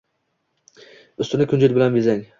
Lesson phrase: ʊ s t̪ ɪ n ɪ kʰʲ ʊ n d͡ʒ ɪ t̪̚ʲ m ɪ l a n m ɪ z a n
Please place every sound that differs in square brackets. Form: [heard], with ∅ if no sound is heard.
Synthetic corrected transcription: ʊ s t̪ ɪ n ɪ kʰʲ ʊ n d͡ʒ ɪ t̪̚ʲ [b] ɪ l a n [b] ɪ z a [ŋ]